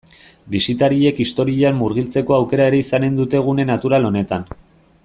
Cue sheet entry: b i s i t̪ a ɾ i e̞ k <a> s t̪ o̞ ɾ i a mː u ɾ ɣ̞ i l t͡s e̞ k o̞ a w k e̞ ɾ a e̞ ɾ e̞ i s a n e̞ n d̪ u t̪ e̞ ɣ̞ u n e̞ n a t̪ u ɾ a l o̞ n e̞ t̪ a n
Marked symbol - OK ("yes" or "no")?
no